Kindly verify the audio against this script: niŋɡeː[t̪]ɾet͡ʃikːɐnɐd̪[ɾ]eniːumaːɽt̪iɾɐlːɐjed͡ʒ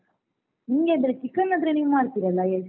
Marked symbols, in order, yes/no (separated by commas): no, yes